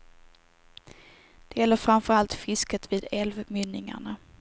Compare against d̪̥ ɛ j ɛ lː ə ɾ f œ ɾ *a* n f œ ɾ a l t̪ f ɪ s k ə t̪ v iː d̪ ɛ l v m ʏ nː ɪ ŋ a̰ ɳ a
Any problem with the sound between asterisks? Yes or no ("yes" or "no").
no